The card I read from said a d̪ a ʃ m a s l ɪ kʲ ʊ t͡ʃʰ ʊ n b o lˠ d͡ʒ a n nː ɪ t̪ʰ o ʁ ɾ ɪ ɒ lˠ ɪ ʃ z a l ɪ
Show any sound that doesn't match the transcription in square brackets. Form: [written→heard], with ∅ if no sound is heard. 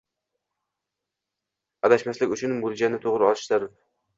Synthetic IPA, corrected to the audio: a d̪ a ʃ m a s l ɪ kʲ ʊ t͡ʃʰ ʊ n b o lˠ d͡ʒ a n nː ɪ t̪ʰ o ʁ ɾ ɪ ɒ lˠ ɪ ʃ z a [l→ɾ] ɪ